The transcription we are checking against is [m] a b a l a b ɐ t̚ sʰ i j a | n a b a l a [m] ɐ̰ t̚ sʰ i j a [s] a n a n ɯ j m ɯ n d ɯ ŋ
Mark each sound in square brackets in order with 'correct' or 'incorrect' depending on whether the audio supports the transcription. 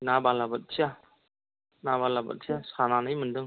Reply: incorrect: n, incorrect: b, correct

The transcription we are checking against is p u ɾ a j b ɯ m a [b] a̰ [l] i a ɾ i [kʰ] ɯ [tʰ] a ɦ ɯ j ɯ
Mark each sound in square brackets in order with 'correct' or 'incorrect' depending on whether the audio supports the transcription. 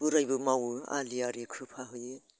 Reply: incorrect: w, correct, correct, incorrect: pʰ

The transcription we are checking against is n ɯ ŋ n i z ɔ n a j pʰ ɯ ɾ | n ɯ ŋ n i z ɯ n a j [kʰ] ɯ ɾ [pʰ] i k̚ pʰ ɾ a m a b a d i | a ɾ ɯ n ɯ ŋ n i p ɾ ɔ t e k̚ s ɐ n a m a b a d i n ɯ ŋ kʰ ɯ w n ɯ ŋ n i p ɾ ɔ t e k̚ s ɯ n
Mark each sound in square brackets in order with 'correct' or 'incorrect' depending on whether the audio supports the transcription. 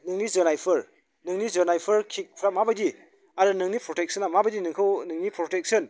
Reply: incorrect: pʰ, incorrect: kʰ

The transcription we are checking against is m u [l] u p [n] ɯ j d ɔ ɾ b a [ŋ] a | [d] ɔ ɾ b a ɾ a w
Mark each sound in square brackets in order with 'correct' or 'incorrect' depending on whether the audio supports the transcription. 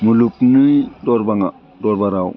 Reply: correct, correct, correct, correct

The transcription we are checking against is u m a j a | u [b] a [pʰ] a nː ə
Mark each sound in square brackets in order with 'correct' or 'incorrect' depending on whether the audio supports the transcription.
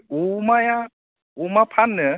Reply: incorrect: m, correct

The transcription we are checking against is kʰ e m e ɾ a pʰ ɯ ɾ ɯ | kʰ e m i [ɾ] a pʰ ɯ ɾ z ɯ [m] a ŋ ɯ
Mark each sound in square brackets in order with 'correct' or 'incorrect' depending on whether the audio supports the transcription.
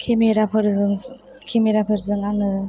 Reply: correct, incorrect: ŋ

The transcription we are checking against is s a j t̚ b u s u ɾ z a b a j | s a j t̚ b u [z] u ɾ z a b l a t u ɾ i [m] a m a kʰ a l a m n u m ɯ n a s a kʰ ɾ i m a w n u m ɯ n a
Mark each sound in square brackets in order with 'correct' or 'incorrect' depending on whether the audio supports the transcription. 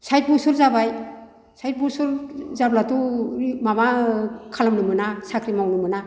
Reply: incorrect: s, correct

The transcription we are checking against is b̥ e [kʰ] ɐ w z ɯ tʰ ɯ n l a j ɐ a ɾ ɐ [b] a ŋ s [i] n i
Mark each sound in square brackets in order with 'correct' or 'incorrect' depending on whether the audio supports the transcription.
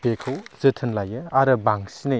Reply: correct, correct, correct

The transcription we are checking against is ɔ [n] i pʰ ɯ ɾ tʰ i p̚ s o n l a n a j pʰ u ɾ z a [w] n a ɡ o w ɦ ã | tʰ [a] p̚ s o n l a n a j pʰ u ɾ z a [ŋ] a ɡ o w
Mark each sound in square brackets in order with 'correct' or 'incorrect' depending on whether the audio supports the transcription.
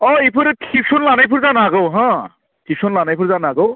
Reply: incorrect: none, incorrect: none, incorrect: i, incorrect: n

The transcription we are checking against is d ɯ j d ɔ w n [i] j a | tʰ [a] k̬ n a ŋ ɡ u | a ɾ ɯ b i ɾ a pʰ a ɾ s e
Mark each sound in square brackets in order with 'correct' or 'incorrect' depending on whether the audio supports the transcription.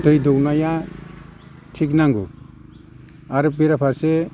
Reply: incorrect: a, incorrect: i

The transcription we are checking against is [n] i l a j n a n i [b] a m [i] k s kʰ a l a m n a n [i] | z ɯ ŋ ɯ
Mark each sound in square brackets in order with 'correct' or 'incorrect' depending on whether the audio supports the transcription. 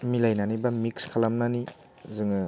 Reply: incorrect: m, correct, correct, correct

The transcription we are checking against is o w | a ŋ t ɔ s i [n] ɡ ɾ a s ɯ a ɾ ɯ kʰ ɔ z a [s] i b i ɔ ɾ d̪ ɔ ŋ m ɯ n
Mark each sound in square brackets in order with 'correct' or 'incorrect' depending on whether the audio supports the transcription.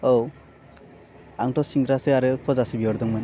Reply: incorrect: ŋ, correct

